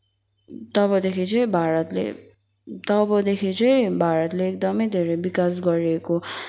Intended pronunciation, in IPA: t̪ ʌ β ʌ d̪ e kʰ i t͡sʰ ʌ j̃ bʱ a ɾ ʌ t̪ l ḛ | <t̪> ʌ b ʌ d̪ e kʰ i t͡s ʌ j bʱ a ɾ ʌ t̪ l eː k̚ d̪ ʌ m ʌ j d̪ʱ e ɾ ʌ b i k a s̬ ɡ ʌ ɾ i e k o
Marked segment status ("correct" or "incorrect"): correct